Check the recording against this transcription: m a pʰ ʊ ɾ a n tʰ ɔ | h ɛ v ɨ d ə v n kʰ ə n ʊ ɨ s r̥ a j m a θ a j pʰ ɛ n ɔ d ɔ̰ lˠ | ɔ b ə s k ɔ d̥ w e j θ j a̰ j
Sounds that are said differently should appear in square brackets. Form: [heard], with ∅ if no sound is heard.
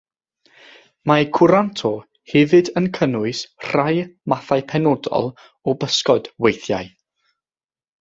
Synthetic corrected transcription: m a [kʰ] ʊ ɾ a n tʰ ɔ | h ɛ v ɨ d ə [∅] n kʰ ə n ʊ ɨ s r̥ a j m a θ a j pʰ ɛ n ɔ d ɔ̰ lˠ | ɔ b ə s k ɔ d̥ w e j θ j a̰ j